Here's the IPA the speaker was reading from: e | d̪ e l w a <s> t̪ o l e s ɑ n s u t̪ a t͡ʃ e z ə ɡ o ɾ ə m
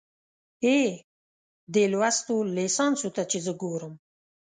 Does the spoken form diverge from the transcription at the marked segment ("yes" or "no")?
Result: no